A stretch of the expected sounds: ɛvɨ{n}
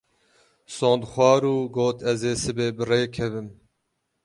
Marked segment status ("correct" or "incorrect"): incorrect